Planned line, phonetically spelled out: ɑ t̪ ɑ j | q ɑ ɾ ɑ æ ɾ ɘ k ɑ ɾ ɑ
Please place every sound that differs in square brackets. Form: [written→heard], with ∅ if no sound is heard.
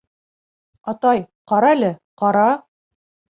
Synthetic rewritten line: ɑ t̪ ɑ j | q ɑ ɾ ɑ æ [ɾ→l] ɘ [k→q] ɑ ɾ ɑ